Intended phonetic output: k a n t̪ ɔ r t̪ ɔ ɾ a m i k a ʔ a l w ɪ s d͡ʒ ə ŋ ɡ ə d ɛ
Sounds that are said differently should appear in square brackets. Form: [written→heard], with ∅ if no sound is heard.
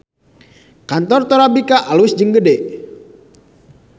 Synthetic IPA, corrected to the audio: k a n t̪ ɔ r t̪ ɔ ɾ a [m→b] i k a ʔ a l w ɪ s d͡ʒ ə ŋ ɡ ə d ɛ